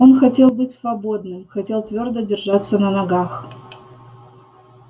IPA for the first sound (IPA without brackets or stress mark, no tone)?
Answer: o̞